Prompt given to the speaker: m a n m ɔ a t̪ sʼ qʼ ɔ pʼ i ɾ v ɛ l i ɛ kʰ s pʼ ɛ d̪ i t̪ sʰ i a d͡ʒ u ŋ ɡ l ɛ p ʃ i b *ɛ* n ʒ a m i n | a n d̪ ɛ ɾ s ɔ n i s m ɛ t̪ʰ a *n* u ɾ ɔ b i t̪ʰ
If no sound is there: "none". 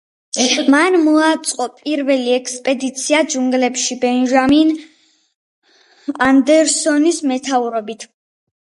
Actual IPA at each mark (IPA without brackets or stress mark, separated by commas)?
ɛ, none